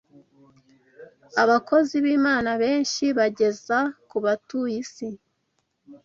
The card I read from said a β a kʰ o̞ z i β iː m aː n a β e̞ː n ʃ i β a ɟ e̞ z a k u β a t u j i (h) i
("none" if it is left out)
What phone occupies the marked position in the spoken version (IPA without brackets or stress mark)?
s